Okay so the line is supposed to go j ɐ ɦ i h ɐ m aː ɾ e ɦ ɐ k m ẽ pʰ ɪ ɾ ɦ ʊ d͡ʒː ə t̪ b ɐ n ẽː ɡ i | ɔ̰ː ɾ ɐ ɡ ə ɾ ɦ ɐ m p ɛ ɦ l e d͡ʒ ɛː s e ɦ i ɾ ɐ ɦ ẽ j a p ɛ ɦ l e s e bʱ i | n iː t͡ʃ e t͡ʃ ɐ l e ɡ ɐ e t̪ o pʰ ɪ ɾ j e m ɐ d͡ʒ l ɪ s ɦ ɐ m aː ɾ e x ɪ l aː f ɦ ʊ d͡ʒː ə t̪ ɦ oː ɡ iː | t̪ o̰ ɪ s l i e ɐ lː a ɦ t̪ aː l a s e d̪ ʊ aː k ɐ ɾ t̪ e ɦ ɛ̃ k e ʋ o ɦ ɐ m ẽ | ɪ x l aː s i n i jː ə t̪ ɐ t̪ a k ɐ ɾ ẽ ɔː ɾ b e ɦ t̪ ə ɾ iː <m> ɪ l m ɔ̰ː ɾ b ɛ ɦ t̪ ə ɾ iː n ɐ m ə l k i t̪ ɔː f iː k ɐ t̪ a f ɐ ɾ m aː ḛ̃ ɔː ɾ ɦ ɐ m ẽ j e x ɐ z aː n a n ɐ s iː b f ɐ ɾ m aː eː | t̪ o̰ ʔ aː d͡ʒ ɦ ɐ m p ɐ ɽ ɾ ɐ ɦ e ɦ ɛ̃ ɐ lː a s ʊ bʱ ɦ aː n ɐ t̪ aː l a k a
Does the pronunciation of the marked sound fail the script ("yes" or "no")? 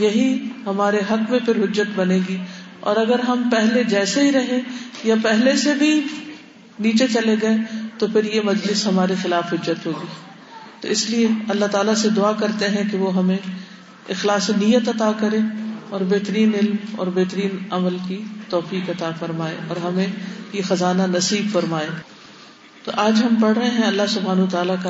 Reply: yes